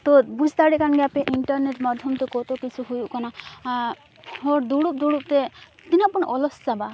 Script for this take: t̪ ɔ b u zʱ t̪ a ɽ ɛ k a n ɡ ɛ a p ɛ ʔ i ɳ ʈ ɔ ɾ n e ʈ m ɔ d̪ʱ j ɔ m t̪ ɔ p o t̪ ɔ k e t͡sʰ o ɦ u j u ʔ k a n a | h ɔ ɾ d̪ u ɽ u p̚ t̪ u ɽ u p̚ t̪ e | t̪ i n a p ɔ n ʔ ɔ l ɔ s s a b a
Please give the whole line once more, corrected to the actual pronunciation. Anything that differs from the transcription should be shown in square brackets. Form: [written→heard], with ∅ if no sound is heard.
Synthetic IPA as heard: t̪ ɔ b u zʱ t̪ a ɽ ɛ k a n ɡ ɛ a p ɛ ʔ i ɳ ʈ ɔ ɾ n e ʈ m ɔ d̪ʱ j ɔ m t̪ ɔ [p→k] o t̪ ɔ k [e→i] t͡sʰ [o→u] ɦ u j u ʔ k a n a | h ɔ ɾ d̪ u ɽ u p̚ [t̪→d̪] u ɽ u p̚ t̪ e | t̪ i n a p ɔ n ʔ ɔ l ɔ s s a b a